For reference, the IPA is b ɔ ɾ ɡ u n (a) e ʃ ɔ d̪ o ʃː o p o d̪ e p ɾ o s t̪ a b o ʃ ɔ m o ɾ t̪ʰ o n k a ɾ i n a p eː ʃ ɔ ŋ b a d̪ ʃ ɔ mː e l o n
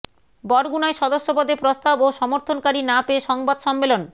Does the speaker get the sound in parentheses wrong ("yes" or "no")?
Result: no